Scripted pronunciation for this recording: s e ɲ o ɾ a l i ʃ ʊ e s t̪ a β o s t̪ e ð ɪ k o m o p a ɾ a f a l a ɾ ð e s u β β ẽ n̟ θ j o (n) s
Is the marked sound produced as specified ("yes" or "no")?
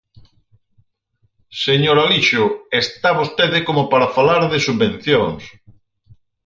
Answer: no